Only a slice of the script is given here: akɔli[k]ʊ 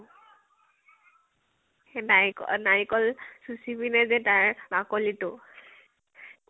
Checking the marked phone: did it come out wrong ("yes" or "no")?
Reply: yes